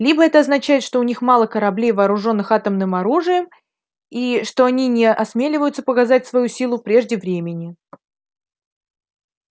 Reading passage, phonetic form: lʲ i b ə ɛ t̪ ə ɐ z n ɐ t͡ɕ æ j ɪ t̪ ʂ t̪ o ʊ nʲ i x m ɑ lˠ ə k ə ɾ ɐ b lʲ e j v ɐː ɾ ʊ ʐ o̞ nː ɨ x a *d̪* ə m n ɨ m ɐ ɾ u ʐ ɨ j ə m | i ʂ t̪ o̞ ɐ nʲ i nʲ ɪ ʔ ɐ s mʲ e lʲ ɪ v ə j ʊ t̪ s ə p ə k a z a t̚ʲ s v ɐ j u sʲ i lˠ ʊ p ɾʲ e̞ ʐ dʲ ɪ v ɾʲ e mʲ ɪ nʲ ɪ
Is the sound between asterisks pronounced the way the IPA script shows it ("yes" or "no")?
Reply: no